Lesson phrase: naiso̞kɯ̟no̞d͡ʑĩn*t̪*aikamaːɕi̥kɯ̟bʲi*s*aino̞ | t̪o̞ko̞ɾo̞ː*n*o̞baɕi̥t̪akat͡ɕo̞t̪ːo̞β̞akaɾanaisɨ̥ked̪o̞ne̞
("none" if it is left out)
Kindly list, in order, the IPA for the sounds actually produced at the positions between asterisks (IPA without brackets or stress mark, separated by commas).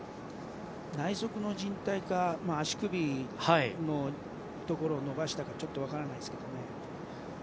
t̪, h, n